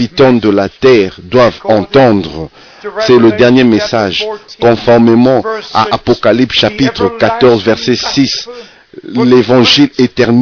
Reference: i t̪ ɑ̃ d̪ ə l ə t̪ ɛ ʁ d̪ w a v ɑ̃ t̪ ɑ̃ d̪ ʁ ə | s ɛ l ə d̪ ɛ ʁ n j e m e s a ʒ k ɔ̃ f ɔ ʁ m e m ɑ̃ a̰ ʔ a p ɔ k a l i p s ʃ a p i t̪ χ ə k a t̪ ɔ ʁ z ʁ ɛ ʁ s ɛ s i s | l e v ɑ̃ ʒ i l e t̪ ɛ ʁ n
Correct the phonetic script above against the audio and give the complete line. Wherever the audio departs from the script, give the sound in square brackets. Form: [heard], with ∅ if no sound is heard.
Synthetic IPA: i t̪ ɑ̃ d̪ ə l [a] t̪ ɛ ʁ d̪ w a v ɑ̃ t̪ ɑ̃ d̪ ʁ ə | s ɛ l ə d̪ ɛ ʁ n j e m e s a ʒ k ɔ̃ f ɔ ʁ m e m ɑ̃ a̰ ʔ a p ɔ k a l i p s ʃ a p i t̪ χ ə k a t̪ ɔ ʁ z [v] ɛ ʁ s ɛ s i s | l e v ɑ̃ ʒ i l e t̪ ɛ ʁ n